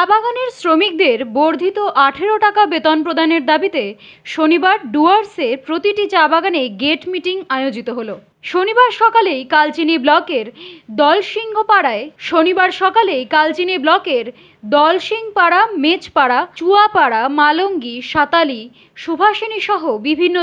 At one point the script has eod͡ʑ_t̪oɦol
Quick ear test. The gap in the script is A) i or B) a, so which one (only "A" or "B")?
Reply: A